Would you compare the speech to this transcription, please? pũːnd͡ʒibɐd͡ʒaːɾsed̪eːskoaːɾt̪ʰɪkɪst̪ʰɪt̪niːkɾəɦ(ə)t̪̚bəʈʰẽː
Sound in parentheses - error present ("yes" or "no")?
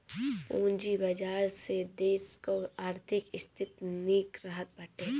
no